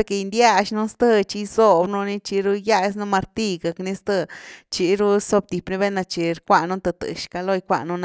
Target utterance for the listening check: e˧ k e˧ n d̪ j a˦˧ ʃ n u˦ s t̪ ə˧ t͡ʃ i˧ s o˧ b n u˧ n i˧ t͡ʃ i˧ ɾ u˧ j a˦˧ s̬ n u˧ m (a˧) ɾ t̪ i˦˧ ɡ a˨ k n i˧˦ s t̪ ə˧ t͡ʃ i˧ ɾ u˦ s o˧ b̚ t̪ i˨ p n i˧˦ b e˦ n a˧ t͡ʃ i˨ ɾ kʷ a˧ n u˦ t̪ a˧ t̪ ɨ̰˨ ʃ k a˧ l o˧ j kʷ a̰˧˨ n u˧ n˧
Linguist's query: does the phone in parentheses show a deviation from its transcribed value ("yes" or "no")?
no